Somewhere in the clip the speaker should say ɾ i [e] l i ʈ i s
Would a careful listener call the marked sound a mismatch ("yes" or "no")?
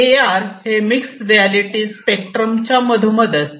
yes